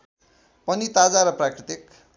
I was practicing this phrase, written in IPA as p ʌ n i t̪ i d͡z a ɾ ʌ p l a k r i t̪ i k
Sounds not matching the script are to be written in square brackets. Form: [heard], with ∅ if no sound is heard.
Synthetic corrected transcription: p ʌ n i t̪ [a] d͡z a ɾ ʌ p [r] a k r i t̪ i k